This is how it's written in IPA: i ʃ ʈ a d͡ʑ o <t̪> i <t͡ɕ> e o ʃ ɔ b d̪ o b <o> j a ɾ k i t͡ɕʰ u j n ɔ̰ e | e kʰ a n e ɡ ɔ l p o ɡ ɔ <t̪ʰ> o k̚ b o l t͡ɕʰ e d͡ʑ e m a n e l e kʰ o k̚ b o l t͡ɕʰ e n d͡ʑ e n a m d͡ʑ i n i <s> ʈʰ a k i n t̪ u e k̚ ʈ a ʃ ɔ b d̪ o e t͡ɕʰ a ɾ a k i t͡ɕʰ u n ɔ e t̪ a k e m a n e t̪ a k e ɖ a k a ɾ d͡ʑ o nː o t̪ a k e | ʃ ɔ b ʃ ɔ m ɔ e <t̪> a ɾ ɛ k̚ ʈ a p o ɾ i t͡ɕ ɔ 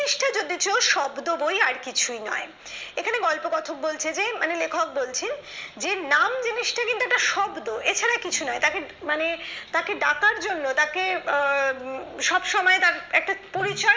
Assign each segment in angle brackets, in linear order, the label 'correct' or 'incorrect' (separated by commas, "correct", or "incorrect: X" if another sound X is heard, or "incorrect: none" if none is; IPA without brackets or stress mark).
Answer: incorrect: d̪, correct, correct, correct, incorrect: ʃ, correct